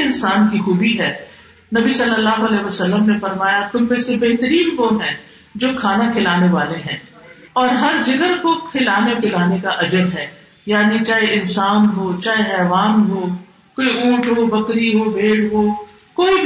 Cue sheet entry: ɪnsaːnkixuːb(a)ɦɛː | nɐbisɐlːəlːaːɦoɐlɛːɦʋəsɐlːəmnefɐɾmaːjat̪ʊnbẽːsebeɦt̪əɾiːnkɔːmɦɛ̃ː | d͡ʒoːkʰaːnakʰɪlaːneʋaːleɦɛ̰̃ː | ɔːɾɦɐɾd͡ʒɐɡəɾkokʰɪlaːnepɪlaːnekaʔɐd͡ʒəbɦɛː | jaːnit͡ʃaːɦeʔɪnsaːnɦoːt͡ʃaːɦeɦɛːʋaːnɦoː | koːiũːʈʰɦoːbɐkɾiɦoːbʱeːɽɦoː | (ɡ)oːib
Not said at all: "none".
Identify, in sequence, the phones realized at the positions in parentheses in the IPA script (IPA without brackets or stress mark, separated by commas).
i, k